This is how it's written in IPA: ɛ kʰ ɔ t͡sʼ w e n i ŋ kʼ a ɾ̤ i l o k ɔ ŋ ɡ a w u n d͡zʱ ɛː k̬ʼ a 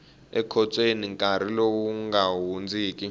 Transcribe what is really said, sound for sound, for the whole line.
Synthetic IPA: ɛ kʰ ɔ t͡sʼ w e n i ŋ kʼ a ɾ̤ i l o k u ŋ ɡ a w u n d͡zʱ iː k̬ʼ i